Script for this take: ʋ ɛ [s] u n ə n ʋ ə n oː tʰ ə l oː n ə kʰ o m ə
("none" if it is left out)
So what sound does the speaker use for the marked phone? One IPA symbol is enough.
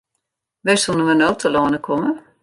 s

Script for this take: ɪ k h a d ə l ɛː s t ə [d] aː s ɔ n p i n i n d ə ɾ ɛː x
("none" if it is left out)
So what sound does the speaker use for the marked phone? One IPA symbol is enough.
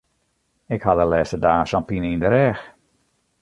d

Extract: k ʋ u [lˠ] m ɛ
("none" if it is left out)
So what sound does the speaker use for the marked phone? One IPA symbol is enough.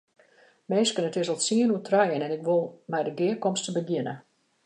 lˠ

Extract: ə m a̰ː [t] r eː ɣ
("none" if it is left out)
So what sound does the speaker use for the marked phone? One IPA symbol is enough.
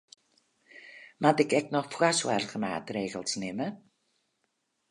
t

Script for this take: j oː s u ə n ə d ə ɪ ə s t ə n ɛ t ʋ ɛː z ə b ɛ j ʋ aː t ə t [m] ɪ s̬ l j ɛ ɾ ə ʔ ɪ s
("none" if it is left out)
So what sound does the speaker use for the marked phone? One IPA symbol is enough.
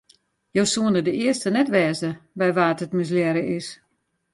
m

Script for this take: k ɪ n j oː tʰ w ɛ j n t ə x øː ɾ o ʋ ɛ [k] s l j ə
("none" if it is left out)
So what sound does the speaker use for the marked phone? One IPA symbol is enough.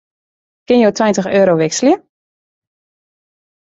k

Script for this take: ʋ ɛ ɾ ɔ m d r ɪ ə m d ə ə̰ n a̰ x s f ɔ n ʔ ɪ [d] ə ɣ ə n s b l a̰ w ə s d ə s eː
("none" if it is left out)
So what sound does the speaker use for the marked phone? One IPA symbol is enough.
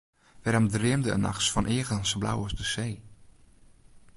none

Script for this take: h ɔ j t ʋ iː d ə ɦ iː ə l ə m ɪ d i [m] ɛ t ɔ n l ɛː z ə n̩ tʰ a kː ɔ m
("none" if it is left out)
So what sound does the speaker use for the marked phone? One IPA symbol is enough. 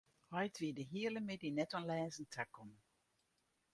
n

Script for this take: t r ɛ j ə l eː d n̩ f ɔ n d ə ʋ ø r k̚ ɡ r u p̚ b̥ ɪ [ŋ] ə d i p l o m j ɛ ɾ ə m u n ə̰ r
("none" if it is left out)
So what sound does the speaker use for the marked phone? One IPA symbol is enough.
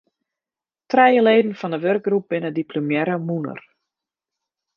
n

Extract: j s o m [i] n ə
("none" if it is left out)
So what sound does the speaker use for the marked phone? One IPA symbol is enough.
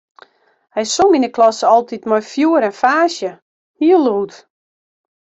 i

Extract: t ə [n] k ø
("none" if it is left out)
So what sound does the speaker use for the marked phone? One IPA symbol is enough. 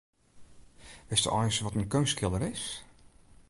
n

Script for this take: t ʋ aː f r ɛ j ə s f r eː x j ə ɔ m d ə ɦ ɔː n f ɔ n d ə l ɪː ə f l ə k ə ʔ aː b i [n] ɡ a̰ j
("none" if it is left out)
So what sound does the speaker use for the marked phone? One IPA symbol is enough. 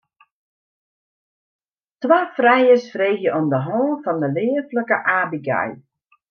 none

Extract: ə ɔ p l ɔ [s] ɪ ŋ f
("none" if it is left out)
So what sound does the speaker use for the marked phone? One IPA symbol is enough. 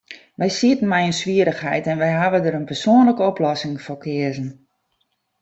s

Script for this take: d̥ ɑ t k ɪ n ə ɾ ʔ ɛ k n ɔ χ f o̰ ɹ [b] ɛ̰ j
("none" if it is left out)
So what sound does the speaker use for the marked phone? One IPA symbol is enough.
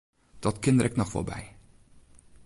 b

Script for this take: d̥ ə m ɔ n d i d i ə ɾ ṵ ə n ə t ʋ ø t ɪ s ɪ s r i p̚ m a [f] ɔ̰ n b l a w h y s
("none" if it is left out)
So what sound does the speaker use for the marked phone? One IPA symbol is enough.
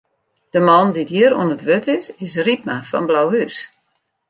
f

